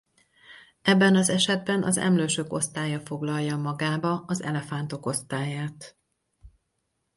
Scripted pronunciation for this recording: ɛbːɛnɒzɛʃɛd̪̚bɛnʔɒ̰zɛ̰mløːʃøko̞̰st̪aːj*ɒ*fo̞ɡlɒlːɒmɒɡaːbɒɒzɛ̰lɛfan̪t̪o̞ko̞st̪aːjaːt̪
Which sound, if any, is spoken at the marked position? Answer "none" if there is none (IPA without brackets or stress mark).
ɒ